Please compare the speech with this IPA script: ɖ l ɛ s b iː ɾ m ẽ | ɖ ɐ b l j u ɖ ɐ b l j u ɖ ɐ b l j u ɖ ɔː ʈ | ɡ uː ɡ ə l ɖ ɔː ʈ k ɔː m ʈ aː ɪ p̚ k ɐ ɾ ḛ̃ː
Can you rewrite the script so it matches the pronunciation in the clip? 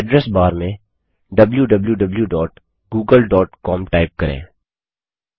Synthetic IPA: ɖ ɾ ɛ s b aː ɾ m ẽ | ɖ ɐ b l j u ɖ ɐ b l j u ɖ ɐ b l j u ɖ ɔː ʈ | ɡ uː ɡ ə l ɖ ɔː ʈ k ɔː m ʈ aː ɪ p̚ k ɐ ɾ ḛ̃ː